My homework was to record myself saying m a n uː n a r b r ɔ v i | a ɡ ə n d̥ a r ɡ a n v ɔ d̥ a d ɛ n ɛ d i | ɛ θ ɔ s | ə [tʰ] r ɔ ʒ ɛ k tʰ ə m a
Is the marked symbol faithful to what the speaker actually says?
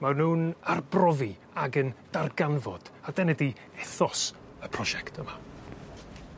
no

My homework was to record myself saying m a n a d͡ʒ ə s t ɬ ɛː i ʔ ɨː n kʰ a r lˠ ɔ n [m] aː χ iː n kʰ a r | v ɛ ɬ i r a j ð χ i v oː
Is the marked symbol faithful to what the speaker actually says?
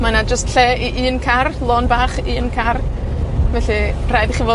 no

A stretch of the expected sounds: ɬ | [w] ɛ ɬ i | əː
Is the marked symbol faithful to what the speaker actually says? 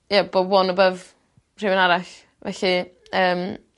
no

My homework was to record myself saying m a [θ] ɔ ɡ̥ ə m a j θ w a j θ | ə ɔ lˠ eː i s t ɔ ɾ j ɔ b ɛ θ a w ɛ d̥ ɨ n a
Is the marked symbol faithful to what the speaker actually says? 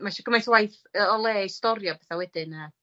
no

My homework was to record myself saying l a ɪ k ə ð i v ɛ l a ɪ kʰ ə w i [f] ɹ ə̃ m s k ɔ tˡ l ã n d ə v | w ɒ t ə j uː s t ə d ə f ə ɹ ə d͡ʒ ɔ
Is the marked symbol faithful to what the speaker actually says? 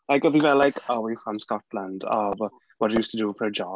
yes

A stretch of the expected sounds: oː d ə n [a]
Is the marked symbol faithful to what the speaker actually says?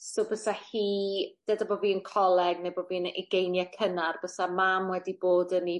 no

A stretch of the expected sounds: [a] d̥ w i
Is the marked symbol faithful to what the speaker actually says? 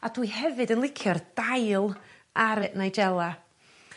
yes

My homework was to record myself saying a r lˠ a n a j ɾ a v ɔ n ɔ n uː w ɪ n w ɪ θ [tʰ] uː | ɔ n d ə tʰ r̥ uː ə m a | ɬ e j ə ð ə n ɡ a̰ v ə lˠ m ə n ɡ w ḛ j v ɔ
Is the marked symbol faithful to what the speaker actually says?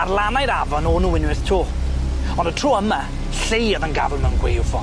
yes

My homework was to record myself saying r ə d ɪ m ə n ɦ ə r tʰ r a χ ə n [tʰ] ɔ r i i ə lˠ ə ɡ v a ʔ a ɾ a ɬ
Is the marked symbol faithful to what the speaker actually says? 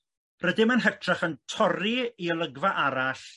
yes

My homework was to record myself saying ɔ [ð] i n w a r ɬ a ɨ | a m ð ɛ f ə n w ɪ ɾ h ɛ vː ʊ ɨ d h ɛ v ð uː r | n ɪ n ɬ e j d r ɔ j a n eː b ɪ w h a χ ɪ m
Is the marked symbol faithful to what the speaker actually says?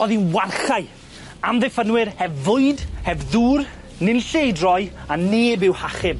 yes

